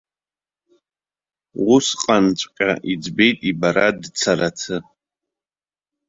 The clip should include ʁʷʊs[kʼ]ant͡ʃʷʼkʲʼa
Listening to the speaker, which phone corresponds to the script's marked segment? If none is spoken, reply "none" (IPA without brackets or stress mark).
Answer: qʼ